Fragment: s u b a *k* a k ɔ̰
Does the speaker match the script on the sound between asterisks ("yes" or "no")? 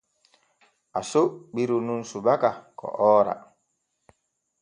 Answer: yes